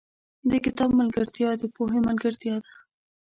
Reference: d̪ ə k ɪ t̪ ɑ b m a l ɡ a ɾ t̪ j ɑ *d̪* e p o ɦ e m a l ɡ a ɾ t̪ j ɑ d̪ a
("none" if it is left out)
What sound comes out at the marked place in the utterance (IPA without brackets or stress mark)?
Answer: d̪